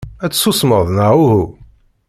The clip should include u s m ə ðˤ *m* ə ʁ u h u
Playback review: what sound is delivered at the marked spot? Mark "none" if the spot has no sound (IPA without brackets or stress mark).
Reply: n